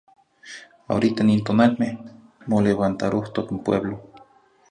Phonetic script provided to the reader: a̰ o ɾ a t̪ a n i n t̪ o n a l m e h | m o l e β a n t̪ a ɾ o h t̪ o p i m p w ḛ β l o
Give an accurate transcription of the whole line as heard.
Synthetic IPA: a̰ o ɾ i t̪ a n i n t̪ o n a l m e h | m o l e β a n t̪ a ɾ o h t̪ o k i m p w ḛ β l o